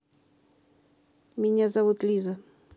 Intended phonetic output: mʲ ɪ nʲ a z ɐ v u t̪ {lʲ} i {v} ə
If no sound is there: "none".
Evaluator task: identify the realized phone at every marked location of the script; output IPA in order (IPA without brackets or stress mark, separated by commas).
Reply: lʲ, z